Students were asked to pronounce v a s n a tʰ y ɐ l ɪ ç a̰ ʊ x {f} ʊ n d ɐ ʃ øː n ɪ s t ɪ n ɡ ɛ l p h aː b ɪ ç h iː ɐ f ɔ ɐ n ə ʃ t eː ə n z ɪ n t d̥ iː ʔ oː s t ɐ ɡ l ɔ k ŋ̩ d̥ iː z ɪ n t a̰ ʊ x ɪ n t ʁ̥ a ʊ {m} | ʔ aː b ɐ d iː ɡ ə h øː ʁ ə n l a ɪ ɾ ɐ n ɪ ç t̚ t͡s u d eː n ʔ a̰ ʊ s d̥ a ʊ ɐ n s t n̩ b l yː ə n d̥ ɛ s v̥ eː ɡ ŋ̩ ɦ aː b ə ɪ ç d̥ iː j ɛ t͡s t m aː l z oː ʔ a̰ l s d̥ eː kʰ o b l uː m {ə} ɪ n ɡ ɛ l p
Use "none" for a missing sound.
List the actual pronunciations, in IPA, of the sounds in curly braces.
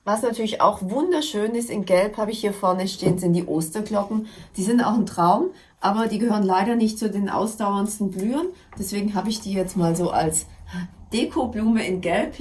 v, m, ə

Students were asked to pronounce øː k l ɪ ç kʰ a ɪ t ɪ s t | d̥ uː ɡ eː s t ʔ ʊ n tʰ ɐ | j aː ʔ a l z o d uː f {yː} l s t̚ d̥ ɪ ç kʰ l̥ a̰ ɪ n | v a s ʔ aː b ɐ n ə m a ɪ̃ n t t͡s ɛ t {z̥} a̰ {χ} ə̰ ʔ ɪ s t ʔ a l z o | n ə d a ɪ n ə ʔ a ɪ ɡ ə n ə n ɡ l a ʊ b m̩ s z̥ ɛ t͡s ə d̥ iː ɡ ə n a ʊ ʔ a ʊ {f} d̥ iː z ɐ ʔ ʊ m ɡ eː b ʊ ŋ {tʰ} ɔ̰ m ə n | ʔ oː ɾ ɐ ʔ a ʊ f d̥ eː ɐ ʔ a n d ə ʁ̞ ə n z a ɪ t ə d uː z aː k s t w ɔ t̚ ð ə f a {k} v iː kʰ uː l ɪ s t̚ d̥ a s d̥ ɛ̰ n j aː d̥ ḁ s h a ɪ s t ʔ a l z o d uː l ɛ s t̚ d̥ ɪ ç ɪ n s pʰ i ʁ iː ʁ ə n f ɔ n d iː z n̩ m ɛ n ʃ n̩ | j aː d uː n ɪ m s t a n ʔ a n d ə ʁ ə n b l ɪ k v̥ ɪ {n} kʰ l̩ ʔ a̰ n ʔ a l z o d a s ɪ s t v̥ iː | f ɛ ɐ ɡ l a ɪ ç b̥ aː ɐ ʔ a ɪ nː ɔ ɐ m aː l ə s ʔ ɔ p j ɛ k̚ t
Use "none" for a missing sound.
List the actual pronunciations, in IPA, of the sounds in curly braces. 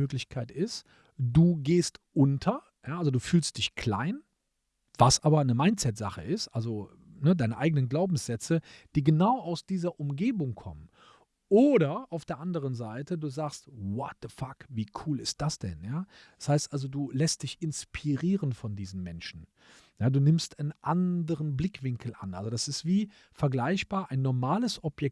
yː, z̥, χ, s, kʰ, k, ŋ

